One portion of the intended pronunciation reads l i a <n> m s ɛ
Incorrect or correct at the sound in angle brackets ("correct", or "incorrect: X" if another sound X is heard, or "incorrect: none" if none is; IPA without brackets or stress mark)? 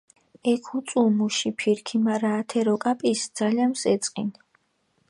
correct